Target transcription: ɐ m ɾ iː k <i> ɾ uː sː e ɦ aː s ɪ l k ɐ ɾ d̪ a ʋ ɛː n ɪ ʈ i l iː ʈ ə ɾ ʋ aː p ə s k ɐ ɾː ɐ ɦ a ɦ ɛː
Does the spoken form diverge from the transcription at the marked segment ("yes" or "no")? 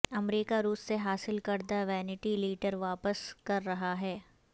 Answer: yes